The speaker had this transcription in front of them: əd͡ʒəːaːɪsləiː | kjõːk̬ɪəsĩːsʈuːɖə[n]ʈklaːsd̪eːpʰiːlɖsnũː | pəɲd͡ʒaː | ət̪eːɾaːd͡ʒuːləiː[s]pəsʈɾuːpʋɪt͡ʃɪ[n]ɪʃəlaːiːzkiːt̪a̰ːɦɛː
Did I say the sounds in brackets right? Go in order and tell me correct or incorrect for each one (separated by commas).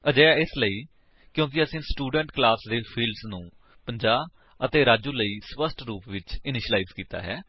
incorrect, correct, correct